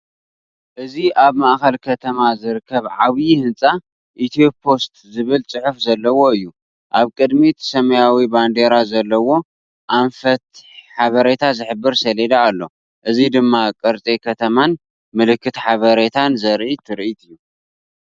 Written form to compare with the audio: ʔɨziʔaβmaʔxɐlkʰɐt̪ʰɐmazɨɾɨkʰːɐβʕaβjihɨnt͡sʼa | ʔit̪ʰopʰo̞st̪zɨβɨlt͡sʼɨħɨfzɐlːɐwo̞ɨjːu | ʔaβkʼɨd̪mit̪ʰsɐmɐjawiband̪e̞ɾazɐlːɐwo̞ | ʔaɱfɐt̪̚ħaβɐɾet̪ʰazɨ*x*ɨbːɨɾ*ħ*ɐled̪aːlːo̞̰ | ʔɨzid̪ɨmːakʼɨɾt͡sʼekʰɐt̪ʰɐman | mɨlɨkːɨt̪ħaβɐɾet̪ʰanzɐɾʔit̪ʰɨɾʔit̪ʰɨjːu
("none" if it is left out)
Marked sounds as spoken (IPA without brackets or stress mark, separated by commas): ħ, s